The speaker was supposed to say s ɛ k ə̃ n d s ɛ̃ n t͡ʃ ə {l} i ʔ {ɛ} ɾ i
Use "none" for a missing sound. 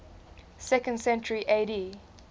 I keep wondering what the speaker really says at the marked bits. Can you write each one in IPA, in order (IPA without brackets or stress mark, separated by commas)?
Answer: ɹ, e